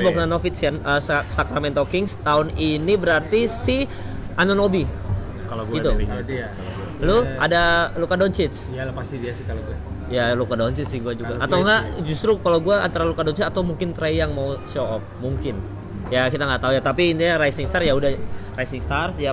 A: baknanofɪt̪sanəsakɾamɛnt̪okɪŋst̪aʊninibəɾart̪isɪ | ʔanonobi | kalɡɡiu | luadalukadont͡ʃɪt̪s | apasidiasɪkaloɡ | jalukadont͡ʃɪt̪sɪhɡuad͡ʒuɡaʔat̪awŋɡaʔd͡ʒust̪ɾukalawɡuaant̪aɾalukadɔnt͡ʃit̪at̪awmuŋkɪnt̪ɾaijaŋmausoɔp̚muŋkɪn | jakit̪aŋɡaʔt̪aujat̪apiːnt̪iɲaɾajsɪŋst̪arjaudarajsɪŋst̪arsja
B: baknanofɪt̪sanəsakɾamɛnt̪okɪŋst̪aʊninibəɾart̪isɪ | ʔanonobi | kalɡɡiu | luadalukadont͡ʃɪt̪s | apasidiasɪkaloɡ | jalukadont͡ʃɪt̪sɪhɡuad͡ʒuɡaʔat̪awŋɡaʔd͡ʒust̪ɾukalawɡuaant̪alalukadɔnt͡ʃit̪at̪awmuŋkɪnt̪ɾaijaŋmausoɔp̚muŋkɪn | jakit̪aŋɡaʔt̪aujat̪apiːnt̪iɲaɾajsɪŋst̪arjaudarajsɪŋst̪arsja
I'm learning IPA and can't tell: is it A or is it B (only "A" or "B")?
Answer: A